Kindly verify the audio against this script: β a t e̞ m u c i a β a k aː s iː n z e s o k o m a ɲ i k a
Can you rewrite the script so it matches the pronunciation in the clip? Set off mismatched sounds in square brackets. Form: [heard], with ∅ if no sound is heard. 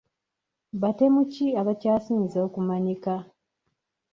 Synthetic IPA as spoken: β a t e̞ m u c i a β a [c] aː s iː n z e [∅] o k [u] m a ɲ i k a

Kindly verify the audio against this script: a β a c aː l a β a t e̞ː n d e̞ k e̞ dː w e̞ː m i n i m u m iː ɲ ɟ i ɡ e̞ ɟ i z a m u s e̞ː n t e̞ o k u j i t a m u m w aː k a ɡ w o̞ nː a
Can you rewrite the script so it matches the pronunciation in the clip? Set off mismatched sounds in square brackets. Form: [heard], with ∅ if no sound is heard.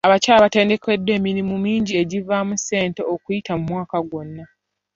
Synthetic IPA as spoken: a β a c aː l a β a t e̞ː n d e̞ k e̞ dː w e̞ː m i n i m u m iː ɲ ɟ i [∅] e̞ ɟ i [v] a m u s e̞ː n t e̞ o k u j i t a m u m w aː k a ɡ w o̞ nː a

